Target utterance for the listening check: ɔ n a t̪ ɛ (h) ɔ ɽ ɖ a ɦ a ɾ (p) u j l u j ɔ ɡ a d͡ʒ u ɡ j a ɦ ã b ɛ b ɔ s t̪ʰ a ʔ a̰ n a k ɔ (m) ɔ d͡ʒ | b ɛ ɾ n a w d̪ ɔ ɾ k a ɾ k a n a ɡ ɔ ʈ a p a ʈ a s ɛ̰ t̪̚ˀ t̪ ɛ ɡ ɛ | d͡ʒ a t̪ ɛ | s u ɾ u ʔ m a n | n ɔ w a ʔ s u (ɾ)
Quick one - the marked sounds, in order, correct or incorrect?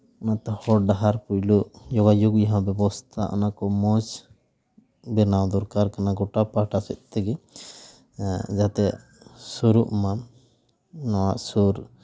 correct, correct, correct, correct

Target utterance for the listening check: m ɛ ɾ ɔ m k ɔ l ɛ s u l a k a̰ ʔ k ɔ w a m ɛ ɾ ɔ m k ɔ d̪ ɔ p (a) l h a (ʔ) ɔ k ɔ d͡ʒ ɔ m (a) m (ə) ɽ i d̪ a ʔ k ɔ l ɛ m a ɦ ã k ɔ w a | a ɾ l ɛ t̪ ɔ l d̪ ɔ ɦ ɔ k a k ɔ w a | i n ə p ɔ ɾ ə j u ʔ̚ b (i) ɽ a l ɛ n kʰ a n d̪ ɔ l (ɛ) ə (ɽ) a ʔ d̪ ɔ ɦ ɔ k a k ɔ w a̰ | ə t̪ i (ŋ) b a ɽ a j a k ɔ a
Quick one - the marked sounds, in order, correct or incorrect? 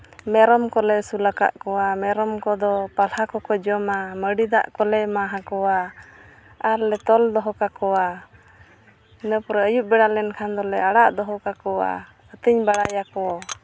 correct, incorrect, correct, correct, incorrect, correct, correct, incorrect

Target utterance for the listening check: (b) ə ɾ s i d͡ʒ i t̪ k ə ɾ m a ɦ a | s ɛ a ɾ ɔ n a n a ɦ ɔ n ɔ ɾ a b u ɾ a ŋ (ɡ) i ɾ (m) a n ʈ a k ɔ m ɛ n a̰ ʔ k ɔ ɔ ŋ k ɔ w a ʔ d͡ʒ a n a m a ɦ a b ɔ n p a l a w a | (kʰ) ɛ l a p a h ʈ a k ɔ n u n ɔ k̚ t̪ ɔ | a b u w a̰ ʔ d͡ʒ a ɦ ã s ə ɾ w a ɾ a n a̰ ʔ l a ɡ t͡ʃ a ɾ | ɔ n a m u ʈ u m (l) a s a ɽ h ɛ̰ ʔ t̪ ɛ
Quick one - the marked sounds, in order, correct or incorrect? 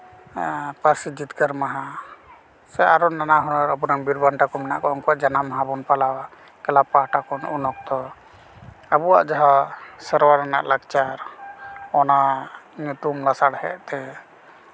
incorrect, incorrect, incorrect, incorrect, correct

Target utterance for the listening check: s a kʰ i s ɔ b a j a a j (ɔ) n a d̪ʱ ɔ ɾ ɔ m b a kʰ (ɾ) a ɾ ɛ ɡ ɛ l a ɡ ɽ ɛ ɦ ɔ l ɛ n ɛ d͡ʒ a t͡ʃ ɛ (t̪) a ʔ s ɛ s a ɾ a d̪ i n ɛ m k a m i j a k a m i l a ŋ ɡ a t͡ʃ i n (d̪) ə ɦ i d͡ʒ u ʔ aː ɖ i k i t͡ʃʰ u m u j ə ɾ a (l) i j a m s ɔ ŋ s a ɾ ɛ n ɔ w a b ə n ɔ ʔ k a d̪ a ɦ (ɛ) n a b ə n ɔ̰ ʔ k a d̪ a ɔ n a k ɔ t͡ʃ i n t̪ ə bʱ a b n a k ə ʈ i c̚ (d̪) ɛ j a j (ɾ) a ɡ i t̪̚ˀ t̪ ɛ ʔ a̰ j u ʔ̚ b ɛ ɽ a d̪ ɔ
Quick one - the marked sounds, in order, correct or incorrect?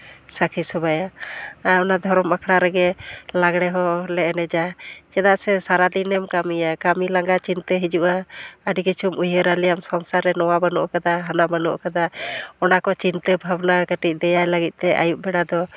correct, incorrect, incorrect, incorrect, correct, incorrect, correct, incorrect

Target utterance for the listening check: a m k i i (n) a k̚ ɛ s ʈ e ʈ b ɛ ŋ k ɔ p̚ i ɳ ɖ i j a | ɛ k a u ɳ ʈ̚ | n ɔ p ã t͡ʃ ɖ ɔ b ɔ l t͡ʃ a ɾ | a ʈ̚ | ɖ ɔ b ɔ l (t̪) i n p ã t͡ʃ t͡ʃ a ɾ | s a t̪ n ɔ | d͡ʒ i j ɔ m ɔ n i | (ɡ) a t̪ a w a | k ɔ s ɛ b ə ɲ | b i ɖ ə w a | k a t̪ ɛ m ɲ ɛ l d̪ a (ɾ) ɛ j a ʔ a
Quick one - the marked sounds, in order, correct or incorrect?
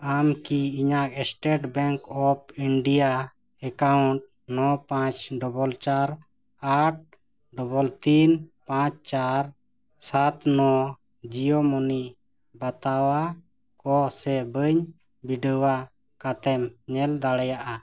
incorrect, correct, incorrect, incorrect

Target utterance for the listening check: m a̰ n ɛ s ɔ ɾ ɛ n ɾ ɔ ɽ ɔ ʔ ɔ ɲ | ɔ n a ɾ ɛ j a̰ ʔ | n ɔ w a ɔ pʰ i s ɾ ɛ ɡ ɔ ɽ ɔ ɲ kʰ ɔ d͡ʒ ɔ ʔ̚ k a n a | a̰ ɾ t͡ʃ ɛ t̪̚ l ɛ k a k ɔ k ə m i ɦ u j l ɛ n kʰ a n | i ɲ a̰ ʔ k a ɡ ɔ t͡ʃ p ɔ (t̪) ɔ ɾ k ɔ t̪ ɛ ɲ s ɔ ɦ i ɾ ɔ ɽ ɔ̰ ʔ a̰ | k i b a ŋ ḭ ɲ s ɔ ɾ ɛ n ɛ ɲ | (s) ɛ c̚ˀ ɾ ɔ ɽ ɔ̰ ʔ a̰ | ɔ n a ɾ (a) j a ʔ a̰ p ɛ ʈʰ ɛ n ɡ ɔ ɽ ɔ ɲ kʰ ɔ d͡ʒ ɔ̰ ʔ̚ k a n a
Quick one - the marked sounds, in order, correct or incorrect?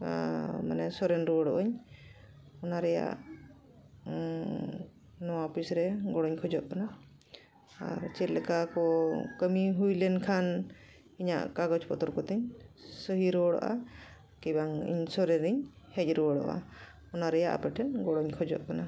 correct, incorrect, incorrect

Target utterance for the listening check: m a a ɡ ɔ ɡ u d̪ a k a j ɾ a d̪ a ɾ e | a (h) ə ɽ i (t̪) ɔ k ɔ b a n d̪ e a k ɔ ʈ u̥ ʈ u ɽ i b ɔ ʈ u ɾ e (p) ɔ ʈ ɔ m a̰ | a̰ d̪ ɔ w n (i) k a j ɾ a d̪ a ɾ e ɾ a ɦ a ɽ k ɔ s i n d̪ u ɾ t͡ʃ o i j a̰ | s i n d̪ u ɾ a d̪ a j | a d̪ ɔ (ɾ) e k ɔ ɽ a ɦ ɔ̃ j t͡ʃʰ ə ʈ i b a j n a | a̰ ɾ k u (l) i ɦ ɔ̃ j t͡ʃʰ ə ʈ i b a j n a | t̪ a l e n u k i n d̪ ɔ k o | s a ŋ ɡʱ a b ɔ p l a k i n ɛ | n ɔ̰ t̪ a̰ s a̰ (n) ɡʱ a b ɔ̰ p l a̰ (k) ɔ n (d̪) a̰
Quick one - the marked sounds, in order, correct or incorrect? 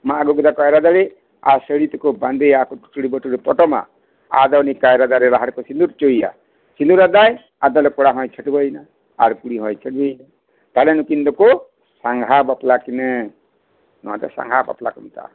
incorrect, correct, correct, correct, incorrect, incorrect, incorrect, correct, incorrect

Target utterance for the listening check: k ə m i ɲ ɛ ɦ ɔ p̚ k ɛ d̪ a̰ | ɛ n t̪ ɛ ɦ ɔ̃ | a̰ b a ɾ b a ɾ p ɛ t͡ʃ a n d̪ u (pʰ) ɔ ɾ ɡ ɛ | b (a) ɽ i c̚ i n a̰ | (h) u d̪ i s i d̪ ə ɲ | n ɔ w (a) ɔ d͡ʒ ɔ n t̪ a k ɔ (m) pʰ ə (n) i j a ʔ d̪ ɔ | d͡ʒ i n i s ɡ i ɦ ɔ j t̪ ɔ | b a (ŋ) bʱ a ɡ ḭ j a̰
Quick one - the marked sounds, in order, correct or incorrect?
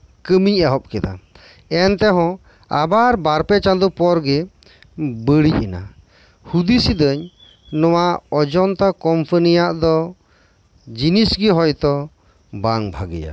incorrect, incorrect, correct, correct, correct, correct, correct

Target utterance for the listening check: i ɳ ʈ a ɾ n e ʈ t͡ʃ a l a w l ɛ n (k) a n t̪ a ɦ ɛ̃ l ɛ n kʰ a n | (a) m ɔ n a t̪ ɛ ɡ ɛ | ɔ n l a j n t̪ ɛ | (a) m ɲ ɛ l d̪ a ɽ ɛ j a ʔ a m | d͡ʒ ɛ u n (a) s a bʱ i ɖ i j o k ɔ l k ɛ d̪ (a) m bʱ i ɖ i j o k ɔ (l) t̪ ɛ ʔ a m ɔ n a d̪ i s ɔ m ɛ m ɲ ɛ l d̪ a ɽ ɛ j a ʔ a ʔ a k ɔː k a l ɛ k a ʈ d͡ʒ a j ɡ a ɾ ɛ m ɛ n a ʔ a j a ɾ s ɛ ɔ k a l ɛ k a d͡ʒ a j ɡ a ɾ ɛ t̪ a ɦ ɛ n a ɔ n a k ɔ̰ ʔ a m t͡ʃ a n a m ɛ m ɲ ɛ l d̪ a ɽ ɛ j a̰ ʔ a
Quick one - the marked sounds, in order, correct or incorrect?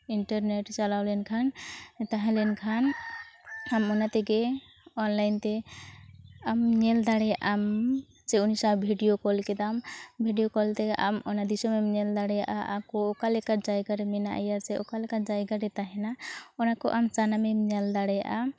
incorrect, correct, correct, incorrect, correct, correct

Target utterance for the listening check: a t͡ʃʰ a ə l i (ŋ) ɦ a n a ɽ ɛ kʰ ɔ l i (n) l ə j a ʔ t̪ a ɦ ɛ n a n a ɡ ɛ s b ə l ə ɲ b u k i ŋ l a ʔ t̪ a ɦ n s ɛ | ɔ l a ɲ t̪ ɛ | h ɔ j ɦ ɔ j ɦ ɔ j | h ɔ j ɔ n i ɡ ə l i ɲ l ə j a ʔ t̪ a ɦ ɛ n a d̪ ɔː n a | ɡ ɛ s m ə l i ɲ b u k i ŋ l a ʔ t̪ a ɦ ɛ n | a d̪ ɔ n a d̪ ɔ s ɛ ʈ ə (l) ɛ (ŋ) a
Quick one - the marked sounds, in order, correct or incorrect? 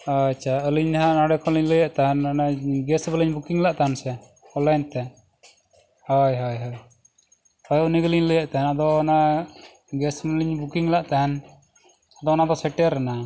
incorrect, incorrect, incorrect, incorrect

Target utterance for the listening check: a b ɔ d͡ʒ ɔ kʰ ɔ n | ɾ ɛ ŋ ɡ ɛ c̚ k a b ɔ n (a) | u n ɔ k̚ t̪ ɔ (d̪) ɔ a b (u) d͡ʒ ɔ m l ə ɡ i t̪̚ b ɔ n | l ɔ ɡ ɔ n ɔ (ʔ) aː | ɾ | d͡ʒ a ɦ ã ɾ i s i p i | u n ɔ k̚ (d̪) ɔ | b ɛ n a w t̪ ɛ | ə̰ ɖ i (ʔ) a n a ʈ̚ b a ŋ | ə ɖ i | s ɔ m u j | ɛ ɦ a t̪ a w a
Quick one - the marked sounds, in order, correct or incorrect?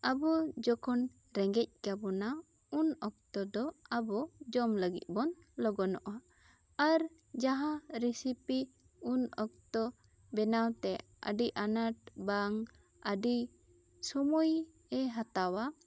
correct, correct, incorrect, correct, incorrect, correct

